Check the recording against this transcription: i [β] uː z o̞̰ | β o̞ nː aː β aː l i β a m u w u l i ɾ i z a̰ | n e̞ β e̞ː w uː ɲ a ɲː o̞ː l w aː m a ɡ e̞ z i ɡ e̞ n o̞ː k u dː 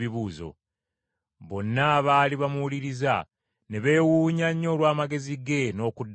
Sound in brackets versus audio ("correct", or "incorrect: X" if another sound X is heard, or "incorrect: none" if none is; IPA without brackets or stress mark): correct